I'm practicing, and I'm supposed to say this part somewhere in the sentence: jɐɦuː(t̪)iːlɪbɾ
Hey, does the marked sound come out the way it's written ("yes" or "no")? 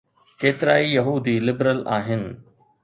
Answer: no